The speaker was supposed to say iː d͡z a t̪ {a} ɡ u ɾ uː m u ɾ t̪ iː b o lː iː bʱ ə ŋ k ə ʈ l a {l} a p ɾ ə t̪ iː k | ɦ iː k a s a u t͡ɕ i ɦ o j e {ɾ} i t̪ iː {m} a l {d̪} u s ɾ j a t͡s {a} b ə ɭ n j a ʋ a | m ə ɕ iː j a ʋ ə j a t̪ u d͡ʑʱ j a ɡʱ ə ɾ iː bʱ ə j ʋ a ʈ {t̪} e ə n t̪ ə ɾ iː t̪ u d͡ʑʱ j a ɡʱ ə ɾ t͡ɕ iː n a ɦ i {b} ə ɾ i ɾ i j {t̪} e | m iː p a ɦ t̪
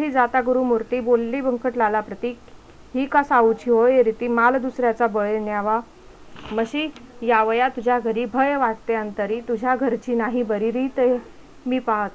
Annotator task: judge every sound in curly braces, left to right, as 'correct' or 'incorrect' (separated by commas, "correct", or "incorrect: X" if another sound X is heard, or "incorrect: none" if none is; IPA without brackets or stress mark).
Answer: correct, correct, correct, correct, correct, correct, correct, correct, correct